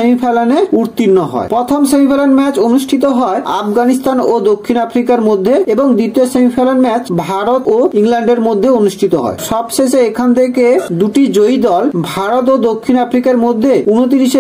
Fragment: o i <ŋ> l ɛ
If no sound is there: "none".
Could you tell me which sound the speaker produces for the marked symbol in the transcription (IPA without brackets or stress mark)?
ŋ